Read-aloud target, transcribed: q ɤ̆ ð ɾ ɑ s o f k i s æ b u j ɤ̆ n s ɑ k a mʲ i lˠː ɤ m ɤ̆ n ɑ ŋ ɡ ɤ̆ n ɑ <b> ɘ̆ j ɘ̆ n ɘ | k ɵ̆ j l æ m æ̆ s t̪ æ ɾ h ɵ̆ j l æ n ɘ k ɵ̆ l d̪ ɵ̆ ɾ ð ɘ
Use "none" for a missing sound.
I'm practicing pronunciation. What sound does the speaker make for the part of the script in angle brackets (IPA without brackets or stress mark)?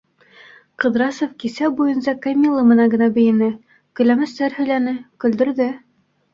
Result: b